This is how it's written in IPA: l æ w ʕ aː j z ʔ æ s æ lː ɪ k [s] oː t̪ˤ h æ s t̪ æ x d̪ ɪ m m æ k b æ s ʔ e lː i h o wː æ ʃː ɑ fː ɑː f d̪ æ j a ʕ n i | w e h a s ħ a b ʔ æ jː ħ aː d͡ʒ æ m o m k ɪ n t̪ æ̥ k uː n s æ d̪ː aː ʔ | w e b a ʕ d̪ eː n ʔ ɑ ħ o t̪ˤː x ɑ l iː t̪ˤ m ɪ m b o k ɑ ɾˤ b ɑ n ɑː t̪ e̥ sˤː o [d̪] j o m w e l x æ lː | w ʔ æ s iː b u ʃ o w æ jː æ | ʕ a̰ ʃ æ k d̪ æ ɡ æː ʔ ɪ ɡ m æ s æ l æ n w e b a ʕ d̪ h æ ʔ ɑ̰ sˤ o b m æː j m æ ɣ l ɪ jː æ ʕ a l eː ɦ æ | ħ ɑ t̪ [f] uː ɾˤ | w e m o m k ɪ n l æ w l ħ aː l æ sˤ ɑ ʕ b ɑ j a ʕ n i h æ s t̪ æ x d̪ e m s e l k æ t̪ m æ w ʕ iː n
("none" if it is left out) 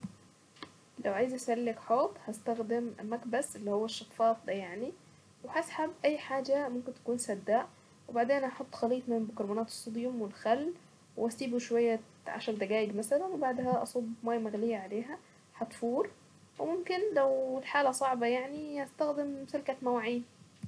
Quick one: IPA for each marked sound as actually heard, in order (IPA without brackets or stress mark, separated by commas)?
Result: ħ, d̪, f